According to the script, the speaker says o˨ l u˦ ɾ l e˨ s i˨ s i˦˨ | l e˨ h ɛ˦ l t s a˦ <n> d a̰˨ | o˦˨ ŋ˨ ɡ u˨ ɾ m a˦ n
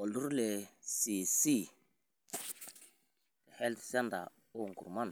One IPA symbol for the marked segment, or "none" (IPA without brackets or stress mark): n